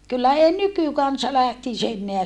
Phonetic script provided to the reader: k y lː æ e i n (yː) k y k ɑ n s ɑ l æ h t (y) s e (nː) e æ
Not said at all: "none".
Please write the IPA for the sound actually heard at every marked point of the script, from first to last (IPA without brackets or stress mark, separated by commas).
y, i, nː